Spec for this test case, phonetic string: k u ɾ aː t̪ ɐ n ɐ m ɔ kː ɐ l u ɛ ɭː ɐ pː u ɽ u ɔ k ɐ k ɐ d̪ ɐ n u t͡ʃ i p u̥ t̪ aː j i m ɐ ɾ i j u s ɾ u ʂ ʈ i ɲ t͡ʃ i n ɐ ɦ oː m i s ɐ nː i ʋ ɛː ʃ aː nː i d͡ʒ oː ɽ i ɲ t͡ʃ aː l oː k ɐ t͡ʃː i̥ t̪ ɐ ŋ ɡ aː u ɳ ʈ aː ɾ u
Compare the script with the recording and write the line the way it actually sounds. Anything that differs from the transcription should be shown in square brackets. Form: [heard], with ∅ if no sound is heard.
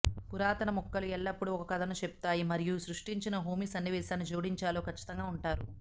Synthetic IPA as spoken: k u ɾ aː t̪ ɐ n ɐ m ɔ kː ɐ l u ɛ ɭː ɐ pː u ɽ u ɔ k ɐ k ɐ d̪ ɐ n u t͡ʃ [e] p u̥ t̪ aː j i m ɐ ɾ i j u s ɾ u ʂ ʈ i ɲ t͡ʃ i n ɐ ɦ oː m i s ɐ nː i ʋ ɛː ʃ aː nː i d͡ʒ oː ɽ i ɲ t͡ʃ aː l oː k ɐ t͡ʃː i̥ t̪ ɐ ŋ ɡ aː u ɳ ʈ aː ɾ u